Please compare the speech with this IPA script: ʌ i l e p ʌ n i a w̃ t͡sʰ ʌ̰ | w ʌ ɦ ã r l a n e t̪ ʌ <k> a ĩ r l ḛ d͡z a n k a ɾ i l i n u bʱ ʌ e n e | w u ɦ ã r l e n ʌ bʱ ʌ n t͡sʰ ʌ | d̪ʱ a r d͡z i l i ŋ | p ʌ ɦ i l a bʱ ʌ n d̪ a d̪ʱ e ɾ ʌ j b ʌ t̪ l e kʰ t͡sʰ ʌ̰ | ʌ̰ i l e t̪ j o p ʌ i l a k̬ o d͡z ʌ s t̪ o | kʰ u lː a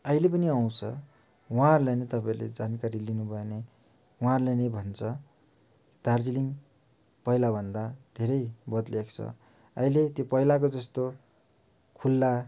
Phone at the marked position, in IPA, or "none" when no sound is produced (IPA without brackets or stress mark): p